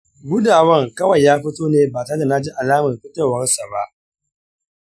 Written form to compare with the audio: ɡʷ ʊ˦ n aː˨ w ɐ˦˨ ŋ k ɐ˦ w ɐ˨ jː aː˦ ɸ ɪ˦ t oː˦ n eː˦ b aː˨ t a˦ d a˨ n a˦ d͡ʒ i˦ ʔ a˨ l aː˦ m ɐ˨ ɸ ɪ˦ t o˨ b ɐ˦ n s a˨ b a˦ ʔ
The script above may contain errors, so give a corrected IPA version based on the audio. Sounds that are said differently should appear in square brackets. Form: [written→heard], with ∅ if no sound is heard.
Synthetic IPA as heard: ɡʷ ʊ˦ [n→d] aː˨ w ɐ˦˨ ŋ k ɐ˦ w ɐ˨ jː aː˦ ɸ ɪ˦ t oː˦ n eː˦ b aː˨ t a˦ d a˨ n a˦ d͡ʒ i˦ ʔ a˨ l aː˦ m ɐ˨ ɸ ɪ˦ t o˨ [b→w] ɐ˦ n s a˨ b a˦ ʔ